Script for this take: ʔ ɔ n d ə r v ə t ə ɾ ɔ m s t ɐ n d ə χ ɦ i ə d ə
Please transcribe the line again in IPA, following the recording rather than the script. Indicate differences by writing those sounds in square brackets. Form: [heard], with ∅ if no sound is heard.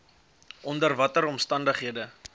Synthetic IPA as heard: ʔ ɔ n d ə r v [ɐ] t ə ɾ ɔ m s t ɐ n d ə χ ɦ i ə d ə